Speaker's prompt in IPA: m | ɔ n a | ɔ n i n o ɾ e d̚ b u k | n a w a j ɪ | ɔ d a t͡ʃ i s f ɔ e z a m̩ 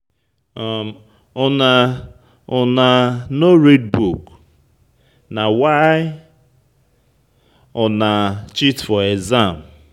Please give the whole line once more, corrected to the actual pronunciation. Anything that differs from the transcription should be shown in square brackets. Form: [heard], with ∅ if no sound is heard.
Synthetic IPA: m | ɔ n a | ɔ n [a] n o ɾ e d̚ b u k | n a w a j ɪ | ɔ [n] a t͡ʃ i [t] f ɔ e z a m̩